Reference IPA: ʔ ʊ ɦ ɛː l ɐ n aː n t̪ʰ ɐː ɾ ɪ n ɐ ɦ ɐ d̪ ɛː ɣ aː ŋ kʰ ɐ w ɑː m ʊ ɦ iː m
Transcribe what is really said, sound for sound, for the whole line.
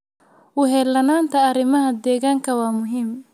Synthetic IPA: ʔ ʊ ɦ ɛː l ɐ n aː n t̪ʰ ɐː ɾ ɪ m ɐ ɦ ɐ d̪ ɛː ɣ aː ŋ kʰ ɐ w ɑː m ʊ ɦ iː m